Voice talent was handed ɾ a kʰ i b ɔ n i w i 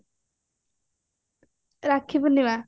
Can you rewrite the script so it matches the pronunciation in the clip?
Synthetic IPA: ɾ a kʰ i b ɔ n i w a